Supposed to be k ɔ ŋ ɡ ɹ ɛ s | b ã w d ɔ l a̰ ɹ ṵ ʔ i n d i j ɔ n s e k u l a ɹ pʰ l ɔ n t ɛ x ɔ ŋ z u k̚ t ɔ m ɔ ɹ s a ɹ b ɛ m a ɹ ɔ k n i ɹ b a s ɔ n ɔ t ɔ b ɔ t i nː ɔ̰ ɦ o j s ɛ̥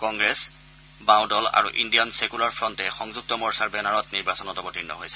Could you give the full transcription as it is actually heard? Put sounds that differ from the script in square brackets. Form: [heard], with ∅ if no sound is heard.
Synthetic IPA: k ɔ ŋ ɡ ɹ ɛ s | b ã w d ɔ l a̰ ɹ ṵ ʔ i n d i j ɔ n s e k u l a ɹ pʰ [ɹ] ɔ n t ɛ x ɔ ŋ z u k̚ t ɔ m ɔ ɹ s a ɹ b ɛ [n] a ɹ ɔ [t] n i ɹ b a s ɔ n ɔ t ɔ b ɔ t i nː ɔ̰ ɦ o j s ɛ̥